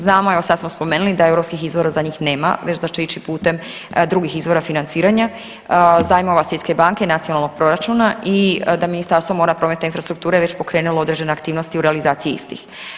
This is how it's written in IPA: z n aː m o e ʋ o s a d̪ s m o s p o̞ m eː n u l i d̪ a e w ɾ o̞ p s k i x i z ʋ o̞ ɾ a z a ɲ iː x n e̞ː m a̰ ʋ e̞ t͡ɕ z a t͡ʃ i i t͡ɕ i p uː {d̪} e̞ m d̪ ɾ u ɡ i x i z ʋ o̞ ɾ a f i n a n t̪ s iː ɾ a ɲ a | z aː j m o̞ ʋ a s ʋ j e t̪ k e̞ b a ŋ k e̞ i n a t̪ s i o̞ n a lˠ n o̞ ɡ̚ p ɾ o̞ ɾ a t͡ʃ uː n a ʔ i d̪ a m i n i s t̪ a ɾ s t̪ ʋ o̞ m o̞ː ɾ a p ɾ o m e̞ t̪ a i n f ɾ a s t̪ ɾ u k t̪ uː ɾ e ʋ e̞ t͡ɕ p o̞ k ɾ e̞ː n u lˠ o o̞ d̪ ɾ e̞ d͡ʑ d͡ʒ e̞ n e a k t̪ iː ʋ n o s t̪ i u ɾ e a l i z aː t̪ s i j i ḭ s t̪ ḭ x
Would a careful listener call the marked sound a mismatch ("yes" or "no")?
yes